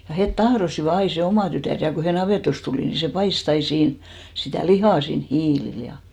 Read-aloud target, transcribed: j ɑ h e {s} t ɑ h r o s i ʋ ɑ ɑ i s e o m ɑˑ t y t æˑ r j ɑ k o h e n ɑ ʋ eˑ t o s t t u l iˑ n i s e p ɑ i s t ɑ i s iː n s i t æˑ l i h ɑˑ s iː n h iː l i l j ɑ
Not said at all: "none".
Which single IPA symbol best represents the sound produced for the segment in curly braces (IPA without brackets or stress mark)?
t